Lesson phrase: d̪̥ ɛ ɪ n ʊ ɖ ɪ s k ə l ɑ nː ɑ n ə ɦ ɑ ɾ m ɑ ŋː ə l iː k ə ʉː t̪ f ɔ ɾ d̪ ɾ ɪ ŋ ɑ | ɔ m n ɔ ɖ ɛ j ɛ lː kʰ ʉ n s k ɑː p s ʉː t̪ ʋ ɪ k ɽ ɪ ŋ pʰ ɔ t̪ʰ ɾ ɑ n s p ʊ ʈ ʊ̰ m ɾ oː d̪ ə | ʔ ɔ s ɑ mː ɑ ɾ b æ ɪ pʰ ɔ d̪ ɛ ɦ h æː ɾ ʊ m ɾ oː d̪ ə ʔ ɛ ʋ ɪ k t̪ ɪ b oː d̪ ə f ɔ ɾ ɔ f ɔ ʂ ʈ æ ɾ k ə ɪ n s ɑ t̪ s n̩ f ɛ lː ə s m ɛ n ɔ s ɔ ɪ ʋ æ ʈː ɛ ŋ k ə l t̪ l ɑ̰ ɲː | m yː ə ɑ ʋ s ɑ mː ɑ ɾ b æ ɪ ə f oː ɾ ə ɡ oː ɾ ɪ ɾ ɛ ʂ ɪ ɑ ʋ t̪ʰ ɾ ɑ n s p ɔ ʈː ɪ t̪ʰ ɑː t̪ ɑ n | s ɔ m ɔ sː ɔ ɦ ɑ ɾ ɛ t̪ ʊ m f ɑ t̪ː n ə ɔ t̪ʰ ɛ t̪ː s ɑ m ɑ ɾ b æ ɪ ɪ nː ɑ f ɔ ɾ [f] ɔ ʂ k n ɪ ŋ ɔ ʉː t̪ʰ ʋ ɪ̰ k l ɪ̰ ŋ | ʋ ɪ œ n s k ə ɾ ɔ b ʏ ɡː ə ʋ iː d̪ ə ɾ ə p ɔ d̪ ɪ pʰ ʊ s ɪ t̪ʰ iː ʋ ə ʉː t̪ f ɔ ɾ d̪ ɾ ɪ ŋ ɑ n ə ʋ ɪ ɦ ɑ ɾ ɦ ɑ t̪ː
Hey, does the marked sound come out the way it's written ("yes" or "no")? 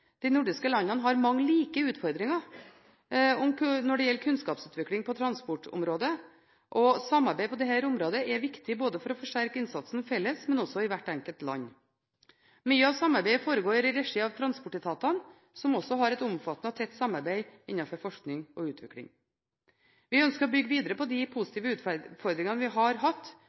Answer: yes